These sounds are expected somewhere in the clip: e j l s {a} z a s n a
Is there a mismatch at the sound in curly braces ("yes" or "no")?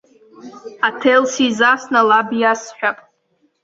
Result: yes